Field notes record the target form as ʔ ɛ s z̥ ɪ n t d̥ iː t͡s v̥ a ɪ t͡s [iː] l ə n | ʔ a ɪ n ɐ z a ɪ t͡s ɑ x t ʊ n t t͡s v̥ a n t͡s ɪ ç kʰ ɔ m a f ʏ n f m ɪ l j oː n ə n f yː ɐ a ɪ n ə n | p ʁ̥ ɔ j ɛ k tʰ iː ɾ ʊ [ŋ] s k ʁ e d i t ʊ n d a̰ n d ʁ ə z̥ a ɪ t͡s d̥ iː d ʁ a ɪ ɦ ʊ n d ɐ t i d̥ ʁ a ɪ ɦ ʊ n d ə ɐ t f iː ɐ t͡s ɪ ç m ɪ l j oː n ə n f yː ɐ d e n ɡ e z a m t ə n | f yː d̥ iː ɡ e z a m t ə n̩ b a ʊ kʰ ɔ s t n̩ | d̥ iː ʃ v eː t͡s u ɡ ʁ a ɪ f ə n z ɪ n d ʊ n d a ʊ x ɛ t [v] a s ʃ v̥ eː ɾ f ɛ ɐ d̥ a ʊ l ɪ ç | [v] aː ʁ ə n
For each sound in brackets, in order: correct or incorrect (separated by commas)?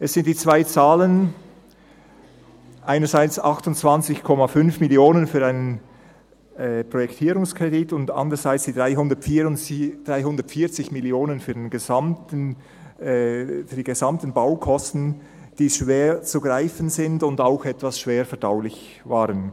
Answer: incorrect, correct, correct, correct